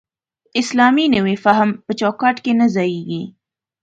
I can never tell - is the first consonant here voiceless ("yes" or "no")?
yes